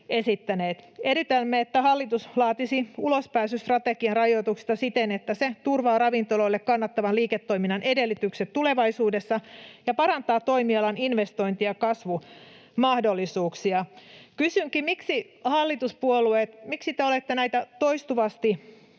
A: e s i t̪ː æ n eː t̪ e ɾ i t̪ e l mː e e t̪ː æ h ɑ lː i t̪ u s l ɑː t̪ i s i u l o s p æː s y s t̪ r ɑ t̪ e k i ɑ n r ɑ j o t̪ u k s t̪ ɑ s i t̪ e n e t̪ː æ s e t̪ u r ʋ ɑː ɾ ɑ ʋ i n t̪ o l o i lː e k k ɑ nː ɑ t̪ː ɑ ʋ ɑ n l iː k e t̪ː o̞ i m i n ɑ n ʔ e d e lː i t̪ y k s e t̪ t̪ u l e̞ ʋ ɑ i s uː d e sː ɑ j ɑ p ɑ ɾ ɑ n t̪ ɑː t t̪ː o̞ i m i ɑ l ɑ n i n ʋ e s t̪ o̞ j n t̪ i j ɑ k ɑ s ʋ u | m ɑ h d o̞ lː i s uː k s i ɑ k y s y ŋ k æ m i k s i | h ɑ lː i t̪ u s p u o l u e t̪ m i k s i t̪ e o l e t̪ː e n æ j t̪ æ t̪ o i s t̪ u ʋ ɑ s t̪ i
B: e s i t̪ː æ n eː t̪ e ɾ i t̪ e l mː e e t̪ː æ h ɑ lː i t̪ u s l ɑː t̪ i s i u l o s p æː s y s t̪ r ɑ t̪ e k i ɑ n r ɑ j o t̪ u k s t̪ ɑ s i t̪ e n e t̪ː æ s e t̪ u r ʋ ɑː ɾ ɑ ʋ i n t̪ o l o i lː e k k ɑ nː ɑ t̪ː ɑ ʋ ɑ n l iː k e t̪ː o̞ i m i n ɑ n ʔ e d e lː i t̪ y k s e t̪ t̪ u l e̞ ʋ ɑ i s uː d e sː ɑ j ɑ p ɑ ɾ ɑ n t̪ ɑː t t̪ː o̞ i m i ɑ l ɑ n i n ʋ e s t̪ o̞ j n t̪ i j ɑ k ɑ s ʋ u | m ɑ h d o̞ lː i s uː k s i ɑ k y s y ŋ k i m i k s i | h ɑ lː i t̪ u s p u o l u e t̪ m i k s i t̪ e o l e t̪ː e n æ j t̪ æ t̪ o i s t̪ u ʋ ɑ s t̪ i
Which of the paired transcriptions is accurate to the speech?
B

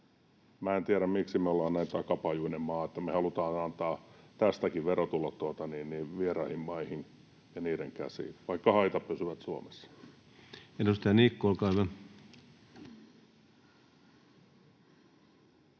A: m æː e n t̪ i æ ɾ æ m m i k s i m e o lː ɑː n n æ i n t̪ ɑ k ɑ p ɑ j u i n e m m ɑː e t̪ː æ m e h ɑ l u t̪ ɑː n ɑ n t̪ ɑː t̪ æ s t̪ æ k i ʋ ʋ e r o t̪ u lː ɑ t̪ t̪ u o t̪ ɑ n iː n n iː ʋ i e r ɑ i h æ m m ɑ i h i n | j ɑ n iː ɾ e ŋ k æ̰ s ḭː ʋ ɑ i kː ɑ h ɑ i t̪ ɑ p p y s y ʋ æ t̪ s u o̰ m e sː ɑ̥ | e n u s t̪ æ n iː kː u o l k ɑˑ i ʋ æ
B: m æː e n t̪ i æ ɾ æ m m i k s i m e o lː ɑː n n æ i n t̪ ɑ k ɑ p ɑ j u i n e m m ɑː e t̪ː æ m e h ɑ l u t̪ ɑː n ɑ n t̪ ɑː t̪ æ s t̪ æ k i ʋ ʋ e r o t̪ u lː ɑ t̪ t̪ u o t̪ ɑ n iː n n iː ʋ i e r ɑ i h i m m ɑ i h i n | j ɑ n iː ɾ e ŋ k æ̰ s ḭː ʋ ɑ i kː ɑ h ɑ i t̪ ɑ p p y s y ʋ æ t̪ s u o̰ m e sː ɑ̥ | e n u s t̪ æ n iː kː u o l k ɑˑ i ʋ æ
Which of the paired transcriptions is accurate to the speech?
B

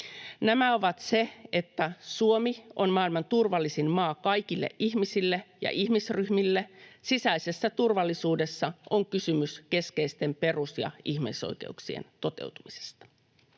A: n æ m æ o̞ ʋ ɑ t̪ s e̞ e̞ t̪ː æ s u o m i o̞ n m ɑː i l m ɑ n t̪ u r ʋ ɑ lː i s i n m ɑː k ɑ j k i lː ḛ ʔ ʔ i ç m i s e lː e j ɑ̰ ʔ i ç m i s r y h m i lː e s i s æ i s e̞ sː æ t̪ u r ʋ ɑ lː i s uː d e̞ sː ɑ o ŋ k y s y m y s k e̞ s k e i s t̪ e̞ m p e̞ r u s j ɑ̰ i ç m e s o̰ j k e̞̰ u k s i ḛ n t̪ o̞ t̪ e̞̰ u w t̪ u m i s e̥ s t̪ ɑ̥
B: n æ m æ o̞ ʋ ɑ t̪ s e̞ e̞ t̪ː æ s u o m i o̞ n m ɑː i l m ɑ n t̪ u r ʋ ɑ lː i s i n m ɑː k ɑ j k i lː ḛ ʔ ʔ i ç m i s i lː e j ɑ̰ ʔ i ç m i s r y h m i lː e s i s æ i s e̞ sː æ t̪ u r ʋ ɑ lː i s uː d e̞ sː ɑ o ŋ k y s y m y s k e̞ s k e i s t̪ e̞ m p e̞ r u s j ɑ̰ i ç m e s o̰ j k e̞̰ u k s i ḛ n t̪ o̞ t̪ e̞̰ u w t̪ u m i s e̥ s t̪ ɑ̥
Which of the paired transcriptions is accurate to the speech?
B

